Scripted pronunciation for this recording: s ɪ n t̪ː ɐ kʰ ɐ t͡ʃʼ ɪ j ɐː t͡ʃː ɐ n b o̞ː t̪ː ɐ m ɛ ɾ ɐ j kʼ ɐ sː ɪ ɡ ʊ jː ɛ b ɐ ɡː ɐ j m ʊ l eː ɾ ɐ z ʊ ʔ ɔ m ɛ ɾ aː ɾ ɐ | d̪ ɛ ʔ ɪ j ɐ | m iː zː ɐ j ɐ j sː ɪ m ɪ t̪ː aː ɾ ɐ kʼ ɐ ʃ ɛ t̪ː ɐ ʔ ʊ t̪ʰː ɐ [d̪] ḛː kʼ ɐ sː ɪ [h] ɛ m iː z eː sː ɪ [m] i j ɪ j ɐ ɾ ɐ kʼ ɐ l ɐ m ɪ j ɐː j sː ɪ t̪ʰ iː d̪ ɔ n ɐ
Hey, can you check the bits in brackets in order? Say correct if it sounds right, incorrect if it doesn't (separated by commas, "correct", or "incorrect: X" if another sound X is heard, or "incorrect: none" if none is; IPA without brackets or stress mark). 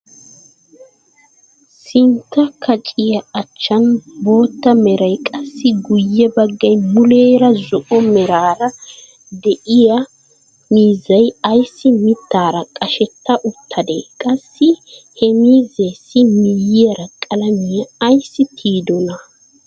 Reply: correct, correct, correct